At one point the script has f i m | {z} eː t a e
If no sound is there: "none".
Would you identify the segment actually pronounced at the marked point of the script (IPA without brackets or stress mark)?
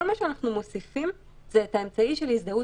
z